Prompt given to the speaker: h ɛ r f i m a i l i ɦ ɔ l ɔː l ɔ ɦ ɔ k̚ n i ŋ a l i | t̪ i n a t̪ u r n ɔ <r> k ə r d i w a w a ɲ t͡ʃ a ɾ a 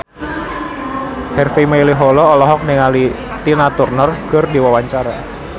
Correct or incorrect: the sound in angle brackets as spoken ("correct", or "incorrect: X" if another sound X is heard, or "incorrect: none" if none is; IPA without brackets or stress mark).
correct